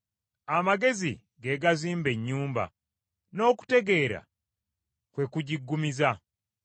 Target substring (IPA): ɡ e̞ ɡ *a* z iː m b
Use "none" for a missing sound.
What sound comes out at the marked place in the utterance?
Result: a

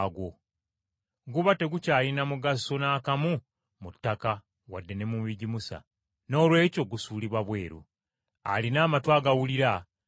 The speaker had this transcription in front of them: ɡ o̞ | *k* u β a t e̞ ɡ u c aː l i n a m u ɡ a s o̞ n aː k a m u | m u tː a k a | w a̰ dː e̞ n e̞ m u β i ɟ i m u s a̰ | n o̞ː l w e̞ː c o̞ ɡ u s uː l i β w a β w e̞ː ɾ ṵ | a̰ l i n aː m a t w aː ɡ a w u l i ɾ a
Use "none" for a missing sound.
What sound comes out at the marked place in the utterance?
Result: ɡ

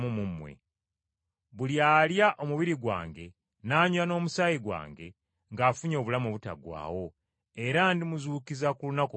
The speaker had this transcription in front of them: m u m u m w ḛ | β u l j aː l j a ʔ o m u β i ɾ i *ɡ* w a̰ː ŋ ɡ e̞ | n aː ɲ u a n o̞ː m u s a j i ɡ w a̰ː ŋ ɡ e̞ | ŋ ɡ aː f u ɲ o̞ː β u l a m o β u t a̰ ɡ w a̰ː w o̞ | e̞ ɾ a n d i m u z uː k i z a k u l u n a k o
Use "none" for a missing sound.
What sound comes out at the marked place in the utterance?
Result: ɡ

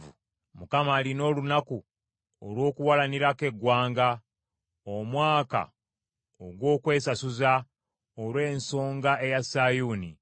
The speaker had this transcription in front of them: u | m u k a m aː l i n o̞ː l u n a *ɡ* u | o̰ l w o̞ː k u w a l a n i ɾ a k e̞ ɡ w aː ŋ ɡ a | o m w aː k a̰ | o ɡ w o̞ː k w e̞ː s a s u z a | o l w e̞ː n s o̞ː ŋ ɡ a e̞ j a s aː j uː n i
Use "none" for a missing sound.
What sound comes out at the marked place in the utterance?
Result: k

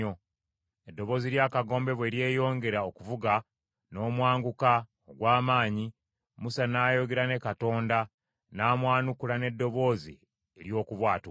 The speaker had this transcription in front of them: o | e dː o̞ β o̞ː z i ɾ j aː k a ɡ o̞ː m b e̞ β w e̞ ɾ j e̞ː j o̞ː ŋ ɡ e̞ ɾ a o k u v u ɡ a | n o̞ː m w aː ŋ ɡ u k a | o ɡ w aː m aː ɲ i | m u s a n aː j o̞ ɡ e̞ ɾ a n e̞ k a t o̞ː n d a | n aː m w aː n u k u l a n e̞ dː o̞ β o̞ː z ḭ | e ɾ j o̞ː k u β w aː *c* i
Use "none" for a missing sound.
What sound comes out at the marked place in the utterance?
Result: t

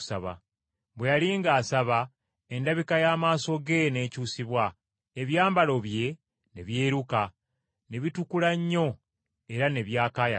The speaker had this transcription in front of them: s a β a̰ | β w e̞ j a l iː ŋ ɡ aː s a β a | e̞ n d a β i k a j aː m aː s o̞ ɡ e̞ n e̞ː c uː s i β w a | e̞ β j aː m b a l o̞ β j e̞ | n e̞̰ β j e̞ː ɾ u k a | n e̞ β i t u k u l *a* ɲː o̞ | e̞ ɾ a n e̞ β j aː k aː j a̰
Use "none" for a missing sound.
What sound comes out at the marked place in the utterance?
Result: a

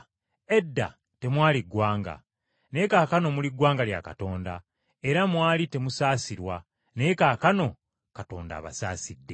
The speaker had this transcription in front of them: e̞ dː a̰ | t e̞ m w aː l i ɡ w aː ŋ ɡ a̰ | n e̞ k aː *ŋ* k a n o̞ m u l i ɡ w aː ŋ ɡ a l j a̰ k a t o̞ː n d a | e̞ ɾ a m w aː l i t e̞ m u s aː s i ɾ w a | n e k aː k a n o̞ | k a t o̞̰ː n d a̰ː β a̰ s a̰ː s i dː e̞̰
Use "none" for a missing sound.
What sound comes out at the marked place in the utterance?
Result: none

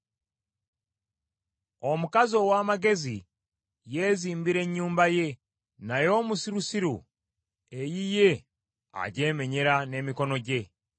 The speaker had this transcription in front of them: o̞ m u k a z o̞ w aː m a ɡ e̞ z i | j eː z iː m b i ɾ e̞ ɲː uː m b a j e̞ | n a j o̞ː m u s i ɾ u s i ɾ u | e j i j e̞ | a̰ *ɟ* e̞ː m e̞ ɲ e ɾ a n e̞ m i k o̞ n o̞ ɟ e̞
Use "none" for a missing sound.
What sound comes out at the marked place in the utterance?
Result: ɟ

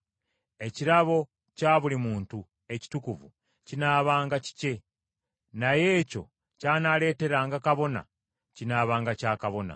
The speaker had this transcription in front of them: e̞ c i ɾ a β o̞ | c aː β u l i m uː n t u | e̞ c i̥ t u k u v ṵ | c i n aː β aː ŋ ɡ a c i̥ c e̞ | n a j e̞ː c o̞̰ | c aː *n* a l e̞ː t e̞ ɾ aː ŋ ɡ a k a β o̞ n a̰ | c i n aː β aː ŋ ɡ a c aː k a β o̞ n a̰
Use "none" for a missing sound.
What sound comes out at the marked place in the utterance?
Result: n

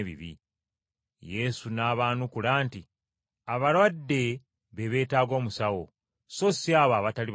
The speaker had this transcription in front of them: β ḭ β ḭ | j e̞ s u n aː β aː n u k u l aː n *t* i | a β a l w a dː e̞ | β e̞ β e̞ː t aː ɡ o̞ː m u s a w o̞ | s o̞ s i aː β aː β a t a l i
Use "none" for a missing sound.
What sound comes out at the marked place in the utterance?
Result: t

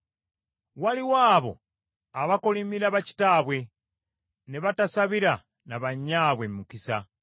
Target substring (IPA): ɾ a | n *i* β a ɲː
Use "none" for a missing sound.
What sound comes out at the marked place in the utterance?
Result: a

